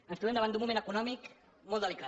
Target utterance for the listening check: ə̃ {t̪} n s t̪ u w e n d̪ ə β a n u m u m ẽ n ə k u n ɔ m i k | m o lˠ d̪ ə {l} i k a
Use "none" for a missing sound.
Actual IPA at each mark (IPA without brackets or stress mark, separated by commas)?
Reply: none, l